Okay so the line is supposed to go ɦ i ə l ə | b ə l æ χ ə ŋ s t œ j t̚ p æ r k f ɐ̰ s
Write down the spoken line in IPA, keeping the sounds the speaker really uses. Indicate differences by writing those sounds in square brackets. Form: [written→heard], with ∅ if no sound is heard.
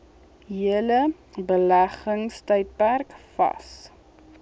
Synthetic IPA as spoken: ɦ i ə l ə | b ə l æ χ ə ŋ s t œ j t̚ p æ r k f ɐ̰ s